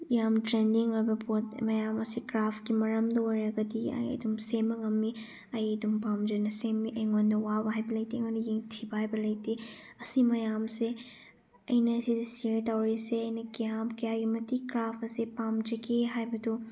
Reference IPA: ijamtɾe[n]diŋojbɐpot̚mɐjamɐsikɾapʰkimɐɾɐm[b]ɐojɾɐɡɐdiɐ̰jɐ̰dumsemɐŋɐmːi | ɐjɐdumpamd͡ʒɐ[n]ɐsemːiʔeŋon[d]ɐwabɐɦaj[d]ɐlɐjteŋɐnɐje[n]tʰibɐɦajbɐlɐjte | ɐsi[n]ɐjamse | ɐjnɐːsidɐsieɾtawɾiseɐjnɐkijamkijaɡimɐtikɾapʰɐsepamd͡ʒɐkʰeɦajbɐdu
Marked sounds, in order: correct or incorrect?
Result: correct, incorrect, correct, correct, incorrect, incorrect, incorrect

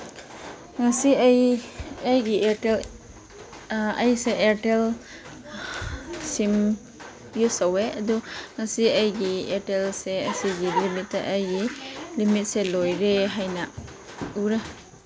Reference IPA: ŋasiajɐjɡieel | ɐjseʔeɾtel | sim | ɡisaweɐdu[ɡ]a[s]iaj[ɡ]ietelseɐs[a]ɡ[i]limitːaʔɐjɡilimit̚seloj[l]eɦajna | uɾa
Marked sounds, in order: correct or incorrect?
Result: incorrect, correct, correct, incorrect, correct, incorrect

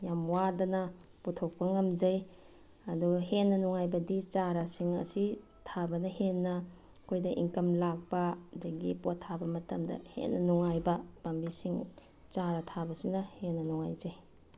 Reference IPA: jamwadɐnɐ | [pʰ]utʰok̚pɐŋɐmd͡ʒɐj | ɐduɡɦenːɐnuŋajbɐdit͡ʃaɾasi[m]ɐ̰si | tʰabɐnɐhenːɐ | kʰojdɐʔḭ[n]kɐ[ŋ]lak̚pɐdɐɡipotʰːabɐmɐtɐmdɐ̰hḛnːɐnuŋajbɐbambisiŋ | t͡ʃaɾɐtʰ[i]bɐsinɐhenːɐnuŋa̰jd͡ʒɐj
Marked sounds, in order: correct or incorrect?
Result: incorrect, incorrect, incorrect, incorrect, incorrect

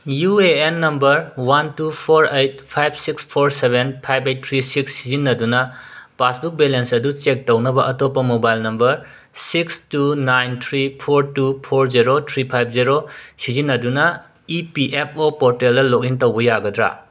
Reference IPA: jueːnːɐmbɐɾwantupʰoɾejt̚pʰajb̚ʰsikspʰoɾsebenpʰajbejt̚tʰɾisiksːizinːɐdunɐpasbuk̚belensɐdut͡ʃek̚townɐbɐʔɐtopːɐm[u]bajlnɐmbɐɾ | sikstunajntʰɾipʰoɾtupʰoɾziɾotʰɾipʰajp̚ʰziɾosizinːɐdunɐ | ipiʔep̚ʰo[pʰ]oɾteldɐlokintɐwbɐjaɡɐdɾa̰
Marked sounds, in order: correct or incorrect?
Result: incorrect, incorrect

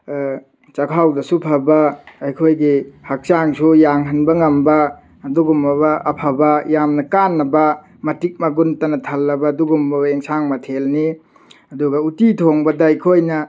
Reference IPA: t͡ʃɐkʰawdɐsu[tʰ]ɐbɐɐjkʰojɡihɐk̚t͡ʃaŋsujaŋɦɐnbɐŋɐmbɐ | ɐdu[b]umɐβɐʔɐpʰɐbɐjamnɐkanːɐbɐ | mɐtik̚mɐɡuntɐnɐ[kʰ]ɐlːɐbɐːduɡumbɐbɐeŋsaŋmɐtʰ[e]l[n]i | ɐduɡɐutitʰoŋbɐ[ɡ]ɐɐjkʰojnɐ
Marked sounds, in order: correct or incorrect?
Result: incorrect, incorrect, incorrect, correct, correct, incorrect

